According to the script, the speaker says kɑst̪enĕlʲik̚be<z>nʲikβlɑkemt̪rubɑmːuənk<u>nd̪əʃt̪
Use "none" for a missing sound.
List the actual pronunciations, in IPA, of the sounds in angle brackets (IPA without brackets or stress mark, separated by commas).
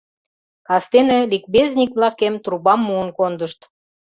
z, o